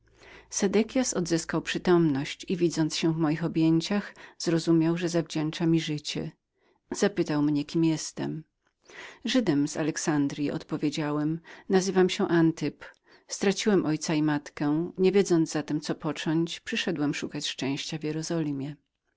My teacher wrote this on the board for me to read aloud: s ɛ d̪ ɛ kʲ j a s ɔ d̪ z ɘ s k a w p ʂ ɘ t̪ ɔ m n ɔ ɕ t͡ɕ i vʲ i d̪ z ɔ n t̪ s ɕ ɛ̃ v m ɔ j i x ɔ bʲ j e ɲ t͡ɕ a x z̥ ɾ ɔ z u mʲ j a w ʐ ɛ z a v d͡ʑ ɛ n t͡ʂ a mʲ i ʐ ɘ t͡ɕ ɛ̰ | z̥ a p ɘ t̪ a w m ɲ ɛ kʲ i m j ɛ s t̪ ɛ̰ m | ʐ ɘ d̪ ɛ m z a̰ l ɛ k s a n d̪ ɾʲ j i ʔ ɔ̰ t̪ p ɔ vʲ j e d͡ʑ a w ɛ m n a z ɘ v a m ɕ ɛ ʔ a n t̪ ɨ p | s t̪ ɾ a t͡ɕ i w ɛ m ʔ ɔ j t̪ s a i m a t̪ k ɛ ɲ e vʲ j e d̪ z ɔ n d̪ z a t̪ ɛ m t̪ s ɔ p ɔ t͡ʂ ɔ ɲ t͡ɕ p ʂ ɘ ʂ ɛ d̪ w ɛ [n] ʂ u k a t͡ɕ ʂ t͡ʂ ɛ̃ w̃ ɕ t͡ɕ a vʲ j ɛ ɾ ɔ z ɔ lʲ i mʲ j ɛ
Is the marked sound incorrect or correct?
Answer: incorrect: m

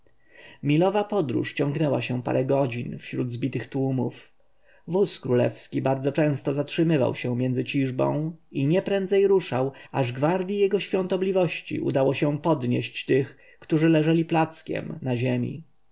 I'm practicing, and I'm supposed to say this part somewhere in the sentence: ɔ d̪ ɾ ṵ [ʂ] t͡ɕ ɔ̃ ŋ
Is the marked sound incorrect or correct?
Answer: correct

